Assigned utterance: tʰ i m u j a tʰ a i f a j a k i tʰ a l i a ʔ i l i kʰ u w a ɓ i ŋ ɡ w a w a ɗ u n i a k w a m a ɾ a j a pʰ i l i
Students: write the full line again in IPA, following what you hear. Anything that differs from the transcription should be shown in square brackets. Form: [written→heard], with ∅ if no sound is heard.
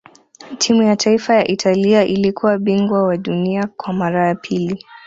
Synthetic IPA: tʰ i m u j a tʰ a i f a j a [k→ʔ] i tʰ a l i a ʔ i l i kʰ u w a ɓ i ŋ ɡ w a w a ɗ u n i a k w a m a ɾ a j a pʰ i l i

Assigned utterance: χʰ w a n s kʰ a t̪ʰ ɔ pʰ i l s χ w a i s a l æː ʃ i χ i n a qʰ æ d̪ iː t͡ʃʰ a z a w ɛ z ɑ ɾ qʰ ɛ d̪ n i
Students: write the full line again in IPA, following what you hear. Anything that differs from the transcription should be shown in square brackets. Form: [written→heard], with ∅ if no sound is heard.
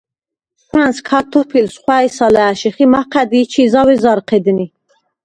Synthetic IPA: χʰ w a n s kʰ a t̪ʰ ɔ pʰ i l s χ w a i s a l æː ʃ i χ i [n→m] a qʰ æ d̪ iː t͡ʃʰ [a→i] z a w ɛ z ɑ ɾ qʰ ɛ d̪ n i

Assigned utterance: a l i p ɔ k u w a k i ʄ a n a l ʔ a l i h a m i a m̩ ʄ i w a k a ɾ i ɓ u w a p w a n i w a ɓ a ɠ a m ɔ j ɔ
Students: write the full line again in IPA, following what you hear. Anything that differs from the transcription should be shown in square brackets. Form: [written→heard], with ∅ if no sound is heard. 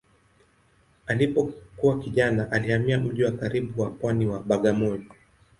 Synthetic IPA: a l i p ɔ k u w a k i ʄ a n a [l→∅] ʔ a l i h a m i a m̩ ʄ i w a k a ɾ i ɓ u w a p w a n i w a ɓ a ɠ a m ɔ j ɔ

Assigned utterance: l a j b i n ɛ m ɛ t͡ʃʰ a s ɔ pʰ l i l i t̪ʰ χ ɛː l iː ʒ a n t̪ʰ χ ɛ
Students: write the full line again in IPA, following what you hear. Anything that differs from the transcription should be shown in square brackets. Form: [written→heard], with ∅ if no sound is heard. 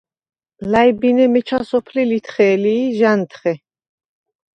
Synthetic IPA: l a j b i n ɛ m ɛ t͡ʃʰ a s ɔ pʰ l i l i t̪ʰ χ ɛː l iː ʒ a n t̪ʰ χ ɛ

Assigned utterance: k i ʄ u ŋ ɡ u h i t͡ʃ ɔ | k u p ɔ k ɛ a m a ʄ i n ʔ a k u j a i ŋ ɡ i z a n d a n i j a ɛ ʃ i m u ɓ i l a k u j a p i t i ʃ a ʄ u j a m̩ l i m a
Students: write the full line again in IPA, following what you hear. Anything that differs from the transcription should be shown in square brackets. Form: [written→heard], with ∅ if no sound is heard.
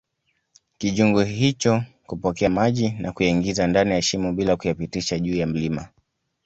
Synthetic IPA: k i ʄ u ŋ ɡ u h i t͡ʃ ɔ | k u p ɔ k ɛ a m a ʄ i n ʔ a k u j a i ŋ ɡ i z a n d a n i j a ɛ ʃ i m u ɓ i l a k u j a p i t i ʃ a ʄ [u→uː] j a m̩ l i m a

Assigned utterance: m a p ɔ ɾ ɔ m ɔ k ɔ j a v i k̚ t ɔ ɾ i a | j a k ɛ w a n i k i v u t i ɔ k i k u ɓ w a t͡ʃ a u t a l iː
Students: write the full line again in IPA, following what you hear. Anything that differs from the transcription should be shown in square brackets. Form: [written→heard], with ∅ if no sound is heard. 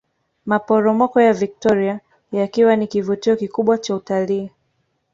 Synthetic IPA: m a p ɔ ɾ ɔ m ɔ k ɔ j a v i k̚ t ɔ ɾ i a | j a k [ɛ→i] w a n i k i v u t i ɔ k i k u ɓ w a t͡ʃ a u t a l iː

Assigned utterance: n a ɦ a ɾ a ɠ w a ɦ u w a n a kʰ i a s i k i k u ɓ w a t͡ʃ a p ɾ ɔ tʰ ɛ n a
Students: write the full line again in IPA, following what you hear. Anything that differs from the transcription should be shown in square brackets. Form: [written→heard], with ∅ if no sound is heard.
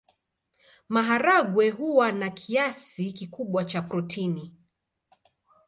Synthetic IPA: [n→m] a ɦ a ɾ a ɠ w [a→ɛ] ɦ u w a n a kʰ i a s i k i k u ɓ w a t͡ʃ a p ɾ ɔ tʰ [ɛ→i] n [a→i]

